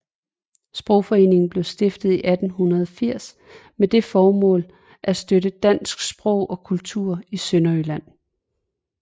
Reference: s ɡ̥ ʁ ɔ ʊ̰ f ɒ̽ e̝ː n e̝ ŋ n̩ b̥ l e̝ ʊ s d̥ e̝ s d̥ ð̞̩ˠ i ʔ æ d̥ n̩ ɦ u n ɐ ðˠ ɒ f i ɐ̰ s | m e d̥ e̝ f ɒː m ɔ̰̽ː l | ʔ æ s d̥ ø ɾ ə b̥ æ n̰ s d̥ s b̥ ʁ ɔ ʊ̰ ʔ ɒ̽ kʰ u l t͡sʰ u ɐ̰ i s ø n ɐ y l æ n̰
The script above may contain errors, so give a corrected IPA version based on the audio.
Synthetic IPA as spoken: s b̥ ʁ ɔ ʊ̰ f ɒ̽ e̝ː n e̝ ŋ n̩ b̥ l e̝ ʊ s d̥ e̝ f d̥ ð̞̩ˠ i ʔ æ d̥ n̩ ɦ u n ɐ ðˠ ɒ f i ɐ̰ s | m e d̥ e̝ f ɒː m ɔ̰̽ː l | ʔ æ s d̥ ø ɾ ə d̥ æ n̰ s ɡ̥ s b̥ ʁ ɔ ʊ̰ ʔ ɒ̽ kʰ u l t͡sʰ u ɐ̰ i s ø n ɐ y l æ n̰